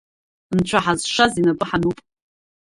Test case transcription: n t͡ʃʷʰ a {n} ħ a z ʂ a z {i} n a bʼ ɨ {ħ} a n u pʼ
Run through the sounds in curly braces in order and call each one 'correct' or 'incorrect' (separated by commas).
incorrect, correct, correct